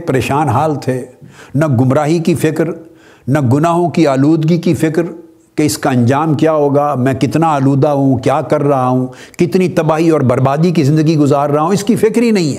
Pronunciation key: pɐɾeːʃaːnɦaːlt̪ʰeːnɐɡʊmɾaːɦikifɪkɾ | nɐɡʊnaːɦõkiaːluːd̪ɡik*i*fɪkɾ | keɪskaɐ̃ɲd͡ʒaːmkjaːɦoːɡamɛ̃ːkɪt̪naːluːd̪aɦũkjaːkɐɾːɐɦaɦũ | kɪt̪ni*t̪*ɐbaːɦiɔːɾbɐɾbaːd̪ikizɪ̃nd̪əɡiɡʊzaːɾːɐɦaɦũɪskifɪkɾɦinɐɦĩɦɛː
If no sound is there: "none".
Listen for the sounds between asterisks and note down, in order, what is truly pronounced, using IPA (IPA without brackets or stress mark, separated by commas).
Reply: i, t̪